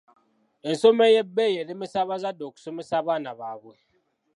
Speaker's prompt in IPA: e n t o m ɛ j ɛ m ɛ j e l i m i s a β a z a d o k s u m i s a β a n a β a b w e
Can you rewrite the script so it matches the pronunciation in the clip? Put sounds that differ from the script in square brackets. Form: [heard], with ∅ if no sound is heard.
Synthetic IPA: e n [s] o m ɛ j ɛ [b] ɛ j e l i m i s a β a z a d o k s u m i s a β a n a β a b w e

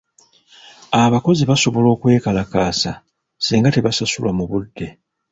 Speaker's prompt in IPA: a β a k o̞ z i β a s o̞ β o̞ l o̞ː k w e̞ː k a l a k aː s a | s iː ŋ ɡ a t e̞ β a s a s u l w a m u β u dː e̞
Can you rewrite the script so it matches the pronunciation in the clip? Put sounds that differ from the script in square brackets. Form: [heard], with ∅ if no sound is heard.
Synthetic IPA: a β a k o̞ z i β a s o̞ β o̞ l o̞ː k w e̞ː k a l a k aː s a | s iː ŋ ɡ a t e̞ β a s a s u l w a m u β u dː e̞

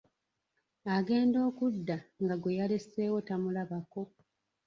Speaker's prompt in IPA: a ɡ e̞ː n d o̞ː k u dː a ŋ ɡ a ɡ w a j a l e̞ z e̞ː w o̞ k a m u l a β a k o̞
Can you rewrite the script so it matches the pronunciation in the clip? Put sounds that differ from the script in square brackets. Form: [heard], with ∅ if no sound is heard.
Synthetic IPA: a ɡ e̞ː n d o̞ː k u dː a ŋ ɡ a ɡ w [e] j a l e̞ [s] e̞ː w o̞ [t] a m u l a β a k o̞

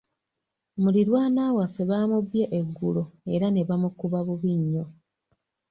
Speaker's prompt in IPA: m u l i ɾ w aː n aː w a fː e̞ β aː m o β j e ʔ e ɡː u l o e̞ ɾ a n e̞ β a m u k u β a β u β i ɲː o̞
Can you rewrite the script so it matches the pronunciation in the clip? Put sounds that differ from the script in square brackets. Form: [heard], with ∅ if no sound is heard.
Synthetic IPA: m u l i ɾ w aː n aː w a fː e̞ β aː m [u] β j e ʔ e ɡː u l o e̞ ɾ a n e̞ β a m u k u β a β u β i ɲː o̞

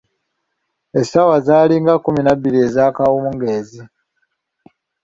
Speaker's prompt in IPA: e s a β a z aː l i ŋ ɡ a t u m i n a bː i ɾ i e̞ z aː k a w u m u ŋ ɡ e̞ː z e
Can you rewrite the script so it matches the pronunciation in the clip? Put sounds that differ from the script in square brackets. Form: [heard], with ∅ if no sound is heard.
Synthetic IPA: e s a [w] a z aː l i ŋ ɡ a [k] u m i n a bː i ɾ i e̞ z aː k a w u m u ŋ ɡ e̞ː z [i]

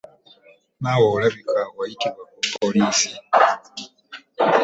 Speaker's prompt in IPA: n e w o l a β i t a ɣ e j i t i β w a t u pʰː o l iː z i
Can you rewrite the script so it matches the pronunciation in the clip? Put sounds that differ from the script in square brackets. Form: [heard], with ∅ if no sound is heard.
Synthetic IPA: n [a] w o l a β i [k] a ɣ [a] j i t i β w a [k] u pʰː o l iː [s] i

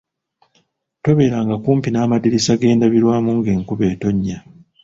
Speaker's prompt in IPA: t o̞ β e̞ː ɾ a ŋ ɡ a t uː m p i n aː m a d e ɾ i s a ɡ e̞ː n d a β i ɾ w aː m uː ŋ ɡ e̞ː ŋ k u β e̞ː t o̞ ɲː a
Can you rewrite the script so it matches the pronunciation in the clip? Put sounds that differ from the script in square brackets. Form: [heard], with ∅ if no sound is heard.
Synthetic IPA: t o̞ β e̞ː ɾ a ŋ ɡ a [k] uː m p i n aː m a d [i] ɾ i s a ɡ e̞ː n d a β i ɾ w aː m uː ŋ ɡ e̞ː ŋ k u β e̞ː t o̞ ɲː a

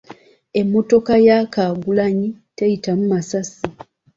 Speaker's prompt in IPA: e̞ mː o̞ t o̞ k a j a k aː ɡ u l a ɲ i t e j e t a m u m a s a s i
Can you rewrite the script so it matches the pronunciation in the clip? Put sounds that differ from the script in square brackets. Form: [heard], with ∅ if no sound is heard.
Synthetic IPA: e̞ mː o̞ t o̞ k a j a k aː ɡ u l a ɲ i t e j [i] t a m u m a s a s i

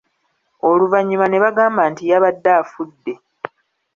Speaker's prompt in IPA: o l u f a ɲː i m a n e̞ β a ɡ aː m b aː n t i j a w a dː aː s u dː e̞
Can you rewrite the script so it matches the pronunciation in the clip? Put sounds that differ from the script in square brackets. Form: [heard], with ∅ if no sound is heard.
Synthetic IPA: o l u [v] a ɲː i m a n e̞ β a ɡ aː m b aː n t i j a [β] a dː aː [f] u dː e̞

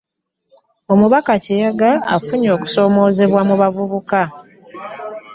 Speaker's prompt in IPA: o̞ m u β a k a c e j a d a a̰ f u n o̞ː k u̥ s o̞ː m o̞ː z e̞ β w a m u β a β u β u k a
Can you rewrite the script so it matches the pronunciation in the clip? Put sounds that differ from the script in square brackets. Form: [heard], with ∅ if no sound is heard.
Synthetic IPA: o̞ m u β a k a c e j a [ɡ] a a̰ f u [ɲ] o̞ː k u̥ s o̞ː m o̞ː z e̞ β w a m u β a [v] u β u k a

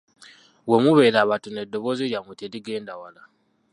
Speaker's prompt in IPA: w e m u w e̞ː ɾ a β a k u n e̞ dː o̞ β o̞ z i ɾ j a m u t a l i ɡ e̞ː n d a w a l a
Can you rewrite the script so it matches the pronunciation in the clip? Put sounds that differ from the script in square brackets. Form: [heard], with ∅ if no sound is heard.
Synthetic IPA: w e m u [β] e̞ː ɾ a β a [t] u n e̞ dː o̞ β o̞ z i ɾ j a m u t [e] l i ɡ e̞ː n d a w a l a

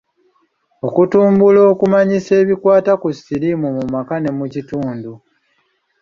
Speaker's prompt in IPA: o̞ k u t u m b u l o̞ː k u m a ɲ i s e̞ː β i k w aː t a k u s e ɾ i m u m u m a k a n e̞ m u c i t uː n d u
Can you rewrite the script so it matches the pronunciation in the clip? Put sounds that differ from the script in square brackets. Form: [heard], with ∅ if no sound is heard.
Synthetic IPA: o̞ k u t [uː] m b u l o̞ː k u m a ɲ i s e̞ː β i k w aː t a k u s [i] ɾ i m u m u m a k a n e̞ m u c i t uː n d u

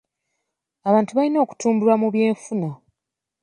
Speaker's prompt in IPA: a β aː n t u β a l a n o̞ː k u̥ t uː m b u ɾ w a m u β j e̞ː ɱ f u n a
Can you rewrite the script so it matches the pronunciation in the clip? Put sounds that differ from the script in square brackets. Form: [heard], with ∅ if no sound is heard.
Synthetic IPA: a β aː n t u β a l [i] n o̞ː k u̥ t uː m b u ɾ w a m u β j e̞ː ɱ f u n a

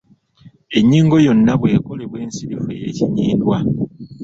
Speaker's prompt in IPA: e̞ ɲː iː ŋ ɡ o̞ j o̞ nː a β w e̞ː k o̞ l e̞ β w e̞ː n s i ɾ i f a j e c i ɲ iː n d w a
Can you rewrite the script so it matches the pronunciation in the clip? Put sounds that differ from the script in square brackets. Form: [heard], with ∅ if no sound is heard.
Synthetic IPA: e̞ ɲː iː ŋ ɡ o̞ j o̞ nː a β w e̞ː k o̞ l e̞ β w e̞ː n s i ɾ i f [e] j e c i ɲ iː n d w a

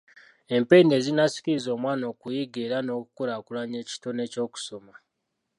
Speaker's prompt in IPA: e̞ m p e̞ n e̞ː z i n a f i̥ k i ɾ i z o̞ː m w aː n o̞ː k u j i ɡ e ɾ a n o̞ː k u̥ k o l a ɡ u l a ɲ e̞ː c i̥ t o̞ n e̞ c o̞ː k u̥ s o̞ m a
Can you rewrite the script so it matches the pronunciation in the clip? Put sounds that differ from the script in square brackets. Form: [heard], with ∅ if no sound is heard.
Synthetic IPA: e̞ m p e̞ n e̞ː z i n a [s] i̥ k i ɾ i z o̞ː m w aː n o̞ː k u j i ɡ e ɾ a n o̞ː k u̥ k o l a [k] u l a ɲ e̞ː c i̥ t o̞ n e̞ c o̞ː k u̥ s o̞ m a

